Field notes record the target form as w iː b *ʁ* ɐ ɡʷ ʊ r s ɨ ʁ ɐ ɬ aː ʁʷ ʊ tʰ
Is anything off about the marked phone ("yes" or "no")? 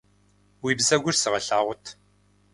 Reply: yes